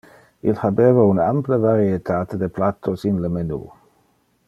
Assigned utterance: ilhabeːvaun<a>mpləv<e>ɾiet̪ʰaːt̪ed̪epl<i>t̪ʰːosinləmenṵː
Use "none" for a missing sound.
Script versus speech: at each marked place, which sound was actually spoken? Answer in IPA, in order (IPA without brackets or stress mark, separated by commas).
a, a, a